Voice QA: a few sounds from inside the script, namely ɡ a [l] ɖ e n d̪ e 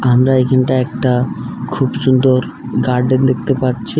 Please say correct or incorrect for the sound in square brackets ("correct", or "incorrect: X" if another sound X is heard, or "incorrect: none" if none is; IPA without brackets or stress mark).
incorrect: ɾ